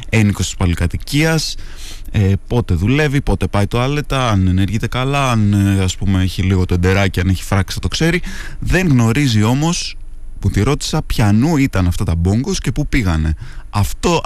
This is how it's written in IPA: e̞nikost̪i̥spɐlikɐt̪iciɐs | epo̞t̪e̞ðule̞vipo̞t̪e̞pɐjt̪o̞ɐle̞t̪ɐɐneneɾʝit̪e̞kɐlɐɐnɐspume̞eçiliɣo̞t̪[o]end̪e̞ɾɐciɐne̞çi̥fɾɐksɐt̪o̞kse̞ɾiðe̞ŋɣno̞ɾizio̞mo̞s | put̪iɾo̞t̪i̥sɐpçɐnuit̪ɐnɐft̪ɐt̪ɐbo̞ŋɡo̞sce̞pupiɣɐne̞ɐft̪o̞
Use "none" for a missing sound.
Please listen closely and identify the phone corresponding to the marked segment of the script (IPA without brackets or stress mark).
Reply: o